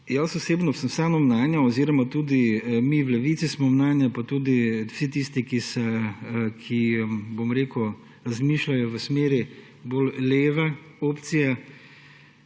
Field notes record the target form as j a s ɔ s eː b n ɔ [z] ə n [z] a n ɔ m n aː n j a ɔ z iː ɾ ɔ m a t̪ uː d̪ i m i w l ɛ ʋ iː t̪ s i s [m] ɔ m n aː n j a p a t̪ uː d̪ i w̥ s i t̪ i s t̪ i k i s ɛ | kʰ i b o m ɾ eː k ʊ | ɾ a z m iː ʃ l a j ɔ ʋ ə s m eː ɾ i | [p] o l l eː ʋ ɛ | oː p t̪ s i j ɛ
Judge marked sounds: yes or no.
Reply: no, no, yes, no

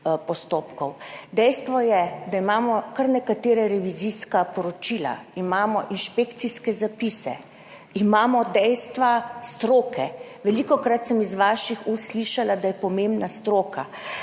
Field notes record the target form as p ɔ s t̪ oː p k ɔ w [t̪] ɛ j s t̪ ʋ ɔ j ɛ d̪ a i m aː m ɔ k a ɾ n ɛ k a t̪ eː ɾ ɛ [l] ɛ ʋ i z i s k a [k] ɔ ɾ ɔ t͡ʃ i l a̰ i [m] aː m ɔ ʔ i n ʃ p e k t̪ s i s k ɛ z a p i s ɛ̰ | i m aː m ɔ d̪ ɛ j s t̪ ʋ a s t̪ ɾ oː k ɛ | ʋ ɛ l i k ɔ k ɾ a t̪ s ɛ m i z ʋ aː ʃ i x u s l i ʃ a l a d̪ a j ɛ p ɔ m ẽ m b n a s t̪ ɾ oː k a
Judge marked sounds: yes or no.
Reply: no, no, no, yes

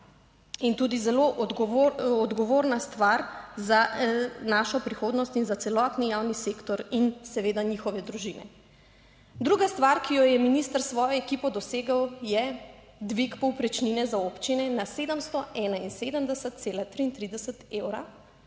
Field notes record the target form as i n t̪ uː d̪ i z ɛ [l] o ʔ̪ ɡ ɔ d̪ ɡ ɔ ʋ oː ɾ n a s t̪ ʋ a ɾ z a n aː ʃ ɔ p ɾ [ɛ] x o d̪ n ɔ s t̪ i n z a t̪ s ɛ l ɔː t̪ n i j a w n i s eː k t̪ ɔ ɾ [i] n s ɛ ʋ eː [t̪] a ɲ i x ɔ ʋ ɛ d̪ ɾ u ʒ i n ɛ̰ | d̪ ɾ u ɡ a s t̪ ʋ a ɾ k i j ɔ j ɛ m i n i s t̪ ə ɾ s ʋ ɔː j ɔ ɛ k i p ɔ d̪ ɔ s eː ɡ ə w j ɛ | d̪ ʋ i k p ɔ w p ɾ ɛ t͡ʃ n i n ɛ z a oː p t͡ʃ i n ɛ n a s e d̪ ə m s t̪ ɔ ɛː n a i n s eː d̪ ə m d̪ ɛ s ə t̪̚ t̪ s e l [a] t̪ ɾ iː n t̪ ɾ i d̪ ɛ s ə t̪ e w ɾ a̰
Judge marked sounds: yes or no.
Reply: yes, no, yes, no, yes

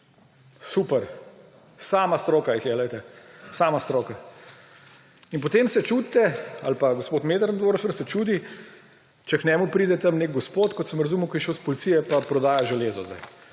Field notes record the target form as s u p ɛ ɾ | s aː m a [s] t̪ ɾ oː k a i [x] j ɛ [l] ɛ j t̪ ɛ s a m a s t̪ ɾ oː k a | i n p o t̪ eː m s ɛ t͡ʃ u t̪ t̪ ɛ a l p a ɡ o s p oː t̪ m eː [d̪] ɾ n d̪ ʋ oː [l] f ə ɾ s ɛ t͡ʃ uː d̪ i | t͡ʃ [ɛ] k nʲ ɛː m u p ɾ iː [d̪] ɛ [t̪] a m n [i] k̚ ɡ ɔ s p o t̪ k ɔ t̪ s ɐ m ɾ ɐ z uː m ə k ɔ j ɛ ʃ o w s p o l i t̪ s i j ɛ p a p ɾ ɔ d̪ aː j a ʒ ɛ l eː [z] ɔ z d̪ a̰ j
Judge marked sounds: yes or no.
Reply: yes, yes, yes, yes, no, yes, yes, yes, no, yes

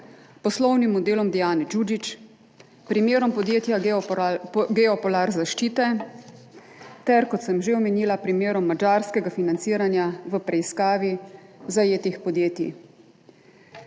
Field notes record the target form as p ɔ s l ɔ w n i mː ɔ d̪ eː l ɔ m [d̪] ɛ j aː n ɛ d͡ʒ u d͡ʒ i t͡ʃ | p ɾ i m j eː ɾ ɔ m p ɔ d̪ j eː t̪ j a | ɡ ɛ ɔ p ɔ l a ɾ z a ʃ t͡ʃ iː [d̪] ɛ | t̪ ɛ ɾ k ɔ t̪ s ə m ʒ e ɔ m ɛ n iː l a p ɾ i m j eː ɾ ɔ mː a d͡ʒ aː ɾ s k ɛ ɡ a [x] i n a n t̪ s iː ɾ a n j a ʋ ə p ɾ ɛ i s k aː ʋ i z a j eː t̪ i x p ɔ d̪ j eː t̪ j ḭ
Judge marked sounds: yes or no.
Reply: yes, no, no

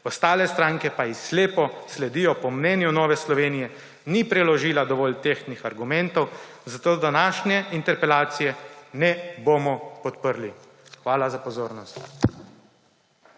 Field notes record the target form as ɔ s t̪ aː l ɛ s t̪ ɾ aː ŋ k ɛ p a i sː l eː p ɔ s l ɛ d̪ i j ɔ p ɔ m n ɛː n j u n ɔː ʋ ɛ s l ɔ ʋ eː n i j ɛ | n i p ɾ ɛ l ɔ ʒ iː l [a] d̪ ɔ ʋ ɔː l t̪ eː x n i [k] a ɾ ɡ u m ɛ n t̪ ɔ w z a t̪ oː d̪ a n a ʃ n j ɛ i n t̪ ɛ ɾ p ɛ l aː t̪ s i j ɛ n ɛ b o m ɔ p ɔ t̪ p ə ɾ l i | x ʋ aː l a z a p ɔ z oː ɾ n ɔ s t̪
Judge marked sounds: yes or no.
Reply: yes, no

